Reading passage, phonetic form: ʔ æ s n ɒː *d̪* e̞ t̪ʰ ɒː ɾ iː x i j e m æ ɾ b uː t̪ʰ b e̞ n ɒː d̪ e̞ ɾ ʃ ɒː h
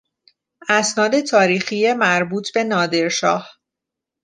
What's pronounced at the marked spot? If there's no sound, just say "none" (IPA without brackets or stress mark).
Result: d̪